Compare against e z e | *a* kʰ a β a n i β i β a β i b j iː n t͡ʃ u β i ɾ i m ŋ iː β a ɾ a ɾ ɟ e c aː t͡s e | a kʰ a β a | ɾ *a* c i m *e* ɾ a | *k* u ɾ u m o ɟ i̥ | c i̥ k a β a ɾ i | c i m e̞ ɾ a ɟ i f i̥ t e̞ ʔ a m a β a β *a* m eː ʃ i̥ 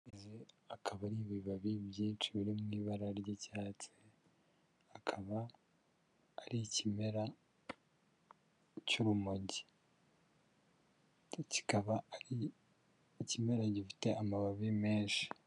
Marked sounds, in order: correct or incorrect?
correct, incorrect, correct, incorrect, incorrect

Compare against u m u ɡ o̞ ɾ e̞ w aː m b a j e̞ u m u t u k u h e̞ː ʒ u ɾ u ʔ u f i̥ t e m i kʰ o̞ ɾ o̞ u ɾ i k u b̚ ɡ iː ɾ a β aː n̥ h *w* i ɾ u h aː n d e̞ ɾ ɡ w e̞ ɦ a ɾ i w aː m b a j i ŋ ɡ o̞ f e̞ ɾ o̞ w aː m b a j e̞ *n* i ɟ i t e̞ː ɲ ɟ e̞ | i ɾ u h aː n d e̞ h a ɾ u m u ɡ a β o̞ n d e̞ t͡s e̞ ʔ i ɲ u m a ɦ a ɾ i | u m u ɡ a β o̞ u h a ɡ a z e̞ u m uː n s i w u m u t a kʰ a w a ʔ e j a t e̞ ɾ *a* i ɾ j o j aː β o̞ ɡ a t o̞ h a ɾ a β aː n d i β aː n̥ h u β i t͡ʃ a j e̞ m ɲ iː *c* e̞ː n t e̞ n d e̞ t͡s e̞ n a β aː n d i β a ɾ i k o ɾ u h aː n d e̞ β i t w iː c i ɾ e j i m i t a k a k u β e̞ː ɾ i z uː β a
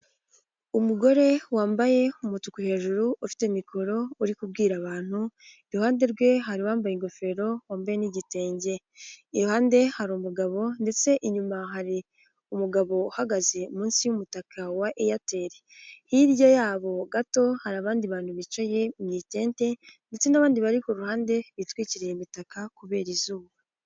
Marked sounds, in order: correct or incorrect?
incorrect, correct, incorrect, incorrect

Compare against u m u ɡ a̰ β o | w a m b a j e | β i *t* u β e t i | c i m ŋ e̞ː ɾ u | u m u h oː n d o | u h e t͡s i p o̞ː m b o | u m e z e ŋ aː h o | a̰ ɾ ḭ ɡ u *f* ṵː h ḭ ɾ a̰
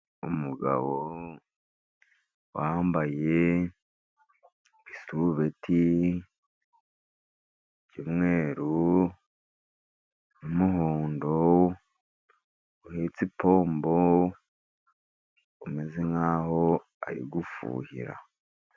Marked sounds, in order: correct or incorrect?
incorrect, correct

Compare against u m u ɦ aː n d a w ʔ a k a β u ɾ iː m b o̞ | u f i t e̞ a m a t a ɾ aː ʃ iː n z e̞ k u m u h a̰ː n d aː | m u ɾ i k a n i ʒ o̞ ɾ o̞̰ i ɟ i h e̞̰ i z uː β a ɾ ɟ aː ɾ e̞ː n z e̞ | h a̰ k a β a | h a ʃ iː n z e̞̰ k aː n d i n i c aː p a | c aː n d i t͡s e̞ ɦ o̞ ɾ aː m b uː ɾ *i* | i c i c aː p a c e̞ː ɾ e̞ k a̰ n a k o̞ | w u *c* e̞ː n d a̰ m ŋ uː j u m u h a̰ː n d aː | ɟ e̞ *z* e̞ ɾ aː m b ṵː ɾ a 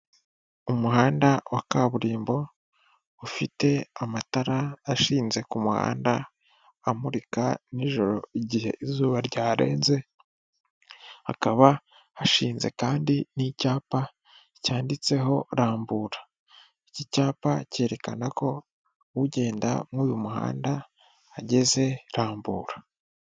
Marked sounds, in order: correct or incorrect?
incorrect, incorrect, correct

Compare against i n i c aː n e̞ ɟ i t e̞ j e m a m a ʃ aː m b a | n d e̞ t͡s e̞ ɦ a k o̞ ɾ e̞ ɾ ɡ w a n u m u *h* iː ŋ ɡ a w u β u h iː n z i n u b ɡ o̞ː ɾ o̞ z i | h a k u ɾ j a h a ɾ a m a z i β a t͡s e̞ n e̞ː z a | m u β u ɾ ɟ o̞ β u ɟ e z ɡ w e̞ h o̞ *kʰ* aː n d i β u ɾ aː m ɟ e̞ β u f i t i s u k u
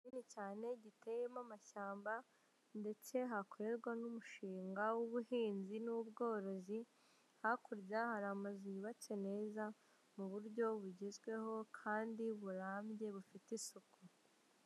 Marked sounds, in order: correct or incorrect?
incorrect, correct

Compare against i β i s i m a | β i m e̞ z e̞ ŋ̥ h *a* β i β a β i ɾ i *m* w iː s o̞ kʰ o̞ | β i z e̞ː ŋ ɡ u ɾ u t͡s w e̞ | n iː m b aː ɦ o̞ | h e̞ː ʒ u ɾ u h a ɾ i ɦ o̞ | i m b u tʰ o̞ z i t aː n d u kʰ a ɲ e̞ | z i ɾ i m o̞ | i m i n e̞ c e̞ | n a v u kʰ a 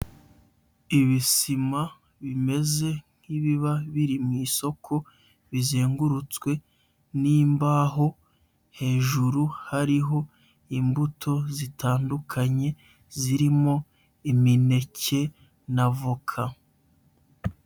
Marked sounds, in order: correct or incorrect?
incorrect, correct

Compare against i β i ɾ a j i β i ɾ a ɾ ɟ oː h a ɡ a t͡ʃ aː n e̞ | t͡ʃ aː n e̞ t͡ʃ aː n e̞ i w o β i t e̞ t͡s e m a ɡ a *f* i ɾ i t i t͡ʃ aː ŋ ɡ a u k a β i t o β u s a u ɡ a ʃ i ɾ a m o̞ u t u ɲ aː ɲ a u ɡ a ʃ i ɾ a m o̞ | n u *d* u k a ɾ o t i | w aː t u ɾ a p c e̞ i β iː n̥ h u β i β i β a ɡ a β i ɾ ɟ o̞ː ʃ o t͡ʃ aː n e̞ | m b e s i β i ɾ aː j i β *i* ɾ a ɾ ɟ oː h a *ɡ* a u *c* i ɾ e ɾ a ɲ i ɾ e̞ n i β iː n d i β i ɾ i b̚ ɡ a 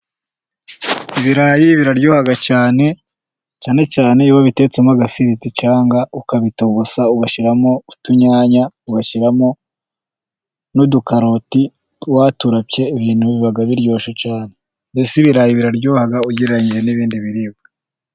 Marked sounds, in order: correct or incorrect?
correct, correct, correct, correct, incorrect

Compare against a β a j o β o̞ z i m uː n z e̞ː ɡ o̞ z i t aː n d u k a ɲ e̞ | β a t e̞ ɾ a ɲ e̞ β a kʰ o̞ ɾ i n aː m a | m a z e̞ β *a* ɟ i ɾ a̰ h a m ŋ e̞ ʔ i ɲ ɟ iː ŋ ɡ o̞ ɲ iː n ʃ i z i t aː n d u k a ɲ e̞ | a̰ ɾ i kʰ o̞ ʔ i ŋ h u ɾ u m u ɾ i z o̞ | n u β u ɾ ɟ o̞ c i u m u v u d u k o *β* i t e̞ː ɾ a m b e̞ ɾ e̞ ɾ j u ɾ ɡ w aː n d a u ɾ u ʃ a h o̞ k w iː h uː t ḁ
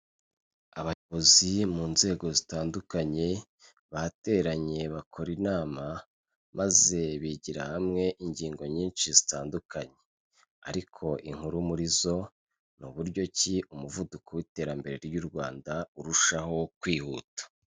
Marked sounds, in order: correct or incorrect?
incorrect, incorrect

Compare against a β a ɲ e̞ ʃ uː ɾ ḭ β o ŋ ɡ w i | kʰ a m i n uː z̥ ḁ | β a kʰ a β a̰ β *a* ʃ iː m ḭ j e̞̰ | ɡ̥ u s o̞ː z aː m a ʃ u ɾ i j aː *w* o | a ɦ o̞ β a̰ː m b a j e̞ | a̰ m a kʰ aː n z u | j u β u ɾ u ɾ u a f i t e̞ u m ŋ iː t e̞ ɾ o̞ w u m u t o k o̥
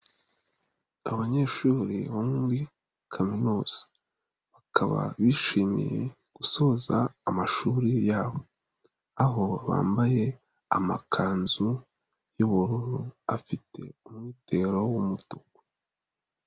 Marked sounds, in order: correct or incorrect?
incorrect, incorrect

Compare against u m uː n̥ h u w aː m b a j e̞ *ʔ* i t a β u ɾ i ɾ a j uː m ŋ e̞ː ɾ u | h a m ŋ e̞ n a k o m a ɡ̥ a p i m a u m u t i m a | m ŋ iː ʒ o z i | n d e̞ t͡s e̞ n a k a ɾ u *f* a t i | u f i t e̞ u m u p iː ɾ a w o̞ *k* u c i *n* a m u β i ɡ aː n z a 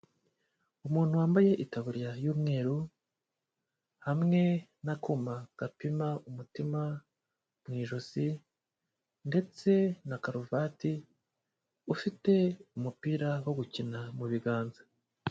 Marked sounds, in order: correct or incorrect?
correct, incorrect, incorrect, correct

